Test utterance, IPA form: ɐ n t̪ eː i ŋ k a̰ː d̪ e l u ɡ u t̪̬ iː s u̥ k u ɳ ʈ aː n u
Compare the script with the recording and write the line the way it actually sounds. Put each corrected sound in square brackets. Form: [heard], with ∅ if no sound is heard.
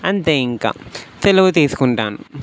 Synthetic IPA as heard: ɐ n t̪ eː i ŋ k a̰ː [t̪] e l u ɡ u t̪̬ iː s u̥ k u ɳ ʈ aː n u